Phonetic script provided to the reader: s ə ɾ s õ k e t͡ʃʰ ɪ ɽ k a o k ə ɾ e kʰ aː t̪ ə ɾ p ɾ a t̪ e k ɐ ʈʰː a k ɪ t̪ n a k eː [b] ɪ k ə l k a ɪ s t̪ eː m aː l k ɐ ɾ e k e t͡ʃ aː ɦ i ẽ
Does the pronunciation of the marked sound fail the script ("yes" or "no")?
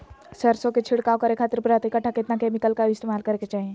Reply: yes